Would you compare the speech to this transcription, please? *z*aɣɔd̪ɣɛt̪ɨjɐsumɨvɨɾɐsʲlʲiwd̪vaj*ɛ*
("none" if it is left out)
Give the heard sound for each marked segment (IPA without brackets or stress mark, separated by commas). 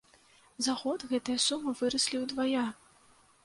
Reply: z, a